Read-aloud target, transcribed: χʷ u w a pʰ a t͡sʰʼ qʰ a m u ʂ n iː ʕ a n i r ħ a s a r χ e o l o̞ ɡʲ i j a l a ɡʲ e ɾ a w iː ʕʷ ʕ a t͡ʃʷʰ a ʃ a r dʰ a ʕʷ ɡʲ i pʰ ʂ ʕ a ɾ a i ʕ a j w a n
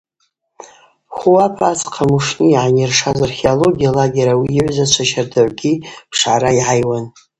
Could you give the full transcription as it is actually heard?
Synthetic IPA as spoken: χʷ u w a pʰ a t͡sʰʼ qʰ a m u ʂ n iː ʕ a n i r ʂ a z a r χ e o l o̞ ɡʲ i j a l a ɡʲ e ɾ a w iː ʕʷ z a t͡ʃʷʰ a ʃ a r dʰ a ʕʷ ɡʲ i pʰ ʂ ʕ a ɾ a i ʕ a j w a n